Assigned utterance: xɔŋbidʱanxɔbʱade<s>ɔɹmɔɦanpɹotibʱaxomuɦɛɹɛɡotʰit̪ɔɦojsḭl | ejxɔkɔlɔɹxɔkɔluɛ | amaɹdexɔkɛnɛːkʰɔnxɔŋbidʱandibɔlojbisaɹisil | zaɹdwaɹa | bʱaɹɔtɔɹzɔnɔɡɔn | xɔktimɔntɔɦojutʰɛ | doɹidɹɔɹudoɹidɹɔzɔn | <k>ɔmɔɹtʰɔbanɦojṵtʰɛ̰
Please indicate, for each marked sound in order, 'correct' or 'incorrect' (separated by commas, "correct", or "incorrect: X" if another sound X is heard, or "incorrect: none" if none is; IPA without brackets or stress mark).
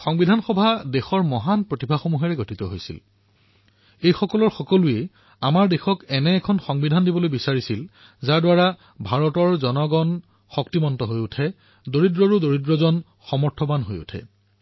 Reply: incorrect: x, incorrect: x